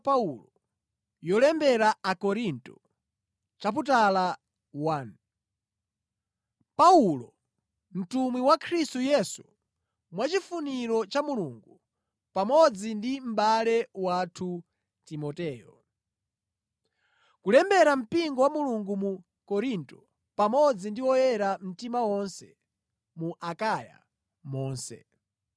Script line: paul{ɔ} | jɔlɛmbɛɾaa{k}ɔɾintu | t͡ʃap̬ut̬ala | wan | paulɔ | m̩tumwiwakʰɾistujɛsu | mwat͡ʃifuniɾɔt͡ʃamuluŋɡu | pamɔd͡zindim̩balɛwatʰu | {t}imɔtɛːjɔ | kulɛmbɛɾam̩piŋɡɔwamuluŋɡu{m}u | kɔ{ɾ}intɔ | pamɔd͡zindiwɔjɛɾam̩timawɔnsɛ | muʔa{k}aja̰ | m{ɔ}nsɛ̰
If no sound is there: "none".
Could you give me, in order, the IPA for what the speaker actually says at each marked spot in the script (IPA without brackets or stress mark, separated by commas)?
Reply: ɔ, k, t, m, ɾ, k, ɔː